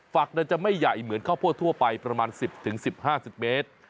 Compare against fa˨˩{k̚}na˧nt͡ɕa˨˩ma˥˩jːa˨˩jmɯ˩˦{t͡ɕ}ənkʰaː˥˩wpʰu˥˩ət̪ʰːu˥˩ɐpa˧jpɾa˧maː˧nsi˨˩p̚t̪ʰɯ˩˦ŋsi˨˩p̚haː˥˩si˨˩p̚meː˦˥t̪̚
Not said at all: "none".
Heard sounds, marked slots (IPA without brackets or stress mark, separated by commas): k̚, none